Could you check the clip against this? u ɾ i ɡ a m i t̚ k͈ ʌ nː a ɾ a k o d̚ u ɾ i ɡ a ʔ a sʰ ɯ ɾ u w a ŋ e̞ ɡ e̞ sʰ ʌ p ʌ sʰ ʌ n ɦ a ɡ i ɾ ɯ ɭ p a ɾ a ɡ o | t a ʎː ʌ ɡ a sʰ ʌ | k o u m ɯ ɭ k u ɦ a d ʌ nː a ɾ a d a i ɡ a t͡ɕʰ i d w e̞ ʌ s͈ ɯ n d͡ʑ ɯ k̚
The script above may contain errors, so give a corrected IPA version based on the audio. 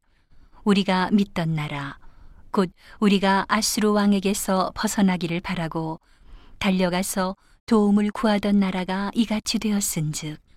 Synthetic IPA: u ɾ i ɡ a m i t̚ t͈ ʌ nː a ɾ a k o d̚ u ɾ i ɡ a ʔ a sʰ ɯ ɾ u w a ŋ e̞ ɡ e̞ sʰ ʌ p ʌ sʰ ʌ n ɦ a ɡ i ɾ ɯ ɭ p a ɾ a ɡ o | t a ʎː ʌ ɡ a sʰ ʌ | t o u m ɯ ɭ k u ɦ a d ʌ nː a ɾ a ɡ a i ɡ a t͡ɕʰ i d w e̞ ʌ s͈ ɯ n d͡ʑ ɯ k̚